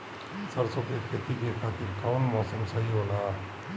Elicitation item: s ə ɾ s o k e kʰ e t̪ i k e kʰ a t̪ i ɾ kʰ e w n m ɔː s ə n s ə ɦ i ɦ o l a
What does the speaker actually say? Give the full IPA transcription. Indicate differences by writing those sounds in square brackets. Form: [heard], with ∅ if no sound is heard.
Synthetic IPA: s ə ɾ s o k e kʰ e t̪ i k e kʰ a t̪ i ɾ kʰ [a] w n m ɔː s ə [m] s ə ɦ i ɦ o l a

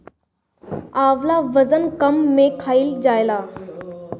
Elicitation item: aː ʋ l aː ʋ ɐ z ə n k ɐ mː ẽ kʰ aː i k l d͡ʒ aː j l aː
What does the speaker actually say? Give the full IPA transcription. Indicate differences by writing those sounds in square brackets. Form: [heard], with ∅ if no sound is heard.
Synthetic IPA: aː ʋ l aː ʋ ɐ z ə n k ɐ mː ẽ kʰ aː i [∅] l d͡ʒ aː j l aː

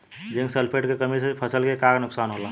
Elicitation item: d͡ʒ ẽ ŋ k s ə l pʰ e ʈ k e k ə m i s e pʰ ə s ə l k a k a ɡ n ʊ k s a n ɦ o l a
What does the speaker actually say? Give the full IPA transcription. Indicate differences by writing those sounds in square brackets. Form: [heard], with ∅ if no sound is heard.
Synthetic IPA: d͡ʒ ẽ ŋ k s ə l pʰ e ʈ k e k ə m i s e pʰ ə s ə l k [e] k a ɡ n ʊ k s a n ɦ o l a

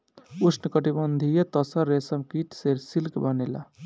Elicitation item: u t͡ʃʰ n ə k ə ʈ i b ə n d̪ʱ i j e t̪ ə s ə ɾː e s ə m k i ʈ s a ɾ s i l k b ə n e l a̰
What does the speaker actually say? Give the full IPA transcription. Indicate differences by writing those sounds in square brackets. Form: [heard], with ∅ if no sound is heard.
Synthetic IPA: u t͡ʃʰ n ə k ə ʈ i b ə n d̪ʱ i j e t̪ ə s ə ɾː e s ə m k i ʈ s [e] ɾ s i l k b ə n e l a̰

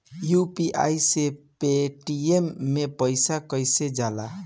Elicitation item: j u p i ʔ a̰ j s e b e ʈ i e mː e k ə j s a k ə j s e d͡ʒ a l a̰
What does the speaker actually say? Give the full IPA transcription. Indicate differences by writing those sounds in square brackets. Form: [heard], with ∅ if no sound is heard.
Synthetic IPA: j u p i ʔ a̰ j s e [p] e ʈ i e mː e [p] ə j s a k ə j s e d͡ʒ a l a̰

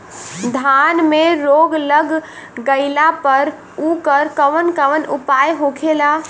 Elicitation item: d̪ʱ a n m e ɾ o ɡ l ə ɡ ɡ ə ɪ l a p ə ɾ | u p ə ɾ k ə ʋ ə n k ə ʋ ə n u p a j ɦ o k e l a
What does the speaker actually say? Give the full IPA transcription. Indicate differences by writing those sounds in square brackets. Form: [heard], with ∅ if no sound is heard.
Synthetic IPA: d̪ʱ a n m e ɾ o ɡ l ə ɡ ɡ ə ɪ l a p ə ɾ | u [k] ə ɾ k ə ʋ ə n k ə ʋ ə n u p a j ɦ o [kʰ] e l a

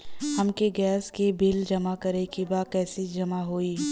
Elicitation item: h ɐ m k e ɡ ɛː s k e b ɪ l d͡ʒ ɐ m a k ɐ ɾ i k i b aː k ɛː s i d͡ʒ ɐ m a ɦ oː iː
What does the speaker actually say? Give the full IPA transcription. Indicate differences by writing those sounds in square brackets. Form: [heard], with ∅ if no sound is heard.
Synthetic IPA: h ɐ m k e ɡ ɛː s k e b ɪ l d͡ʒ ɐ m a k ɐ ɾ [e] k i b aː k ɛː s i d͡ʒ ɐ m a ɦ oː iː

